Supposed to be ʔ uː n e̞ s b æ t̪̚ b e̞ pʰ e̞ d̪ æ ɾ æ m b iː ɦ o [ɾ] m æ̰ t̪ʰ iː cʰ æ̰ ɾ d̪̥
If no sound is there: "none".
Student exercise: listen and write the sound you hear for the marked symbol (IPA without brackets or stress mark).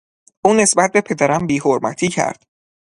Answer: ɾ